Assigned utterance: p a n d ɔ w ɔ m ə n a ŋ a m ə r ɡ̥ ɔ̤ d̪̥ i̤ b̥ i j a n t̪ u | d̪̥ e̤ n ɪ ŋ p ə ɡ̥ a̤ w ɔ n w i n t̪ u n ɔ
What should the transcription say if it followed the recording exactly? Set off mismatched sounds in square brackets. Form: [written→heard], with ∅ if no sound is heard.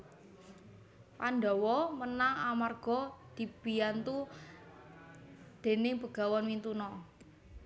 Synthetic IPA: p a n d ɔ w ɔ m ə n a ŋ a m [ə→a] r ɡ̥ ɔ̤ d̪̥ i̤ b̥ i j a n t̪ u | d̪̥ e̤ n ɪ ŋ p ə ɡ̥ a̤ w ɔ n w i n t̪ u n ɔ